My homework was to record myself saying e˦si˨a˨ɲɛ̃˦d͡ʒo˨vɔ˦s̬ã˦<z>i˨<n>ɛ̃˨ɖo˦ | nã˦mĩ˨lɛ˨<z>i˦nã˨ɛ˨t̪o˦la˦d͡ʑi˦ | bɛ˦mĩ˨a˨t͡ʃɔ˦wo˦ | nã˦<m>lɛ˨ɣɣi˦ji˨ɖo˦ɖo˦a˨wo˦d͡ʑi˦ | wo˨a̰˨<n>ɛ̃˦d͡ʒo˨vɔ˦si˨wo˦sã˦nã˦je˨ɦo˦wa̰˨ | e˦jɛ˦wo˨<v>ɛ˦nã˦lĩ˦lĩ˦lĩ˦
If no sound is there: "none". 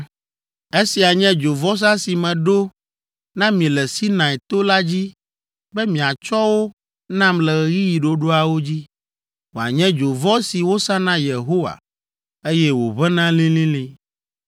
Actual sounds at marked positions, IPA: s, m, s, m, ɲ, β

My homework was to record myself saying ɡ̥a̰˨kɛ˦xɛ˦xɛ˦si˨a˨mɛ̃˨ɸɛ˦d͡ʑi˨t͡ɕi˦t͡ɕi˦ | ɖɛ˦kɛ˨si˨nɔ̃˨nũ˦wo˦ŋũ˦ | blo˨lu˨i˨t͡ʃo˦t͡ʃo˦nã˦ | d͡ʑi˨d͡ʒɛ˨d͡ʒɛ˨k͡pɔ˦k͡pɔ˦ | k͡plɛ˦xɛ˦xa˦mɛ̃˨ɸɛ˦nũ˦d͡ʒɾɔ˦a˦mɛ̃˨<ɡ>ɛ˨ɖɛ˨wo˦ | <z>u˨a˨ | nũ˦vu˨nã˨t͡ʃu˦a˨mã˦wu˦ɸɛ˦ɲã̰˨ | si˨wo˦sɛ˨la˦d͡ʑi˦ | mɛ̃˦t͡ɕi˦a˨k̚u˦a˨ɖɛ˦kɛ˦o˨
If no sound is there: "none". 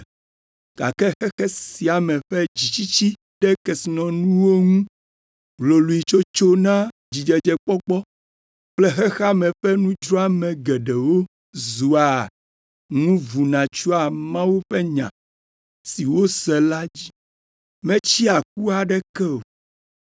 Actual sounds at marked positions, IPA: ɡ, z

